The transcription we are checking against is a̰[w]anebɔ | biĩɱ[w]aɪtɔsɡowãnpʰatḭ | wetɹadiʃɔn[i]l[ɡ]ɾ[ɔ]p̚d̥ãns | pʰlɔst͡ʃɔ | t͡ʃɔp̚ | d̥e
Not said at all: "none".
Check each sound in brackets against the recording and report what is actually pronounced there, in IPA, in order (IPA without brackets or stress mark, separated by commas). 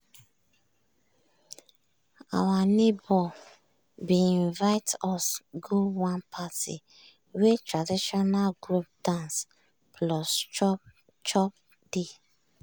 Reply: w, v, a, ɡ, u